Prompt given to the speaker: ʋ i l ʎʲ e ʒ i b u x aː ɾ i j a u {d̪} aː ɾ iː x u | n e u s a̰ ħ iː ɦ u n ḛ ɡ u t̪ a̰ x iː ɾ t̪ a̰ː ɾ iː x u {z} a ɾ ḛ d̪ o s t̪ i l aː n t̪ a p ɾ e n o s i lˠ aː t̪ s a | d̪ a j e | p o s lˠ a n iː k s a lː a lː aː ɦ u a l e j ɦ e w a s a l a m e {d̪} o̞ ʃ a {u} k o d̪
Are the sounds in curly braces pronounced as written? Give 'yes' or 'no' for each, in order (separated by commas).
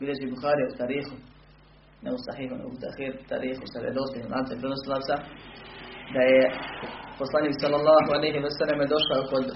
no, no, yes, no